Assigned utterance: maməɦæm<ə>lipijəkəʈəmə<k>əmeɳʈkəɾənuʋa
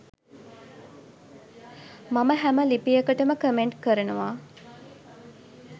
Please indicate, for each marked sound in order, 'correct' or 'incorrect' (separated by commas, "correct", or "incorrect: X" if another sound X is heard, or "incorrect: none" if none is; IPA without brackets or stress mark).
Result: correct, correct